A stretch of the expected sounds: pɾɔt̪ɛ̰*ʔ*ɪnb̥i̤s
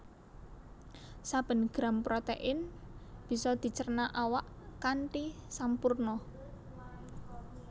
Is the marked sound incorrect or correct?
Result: correct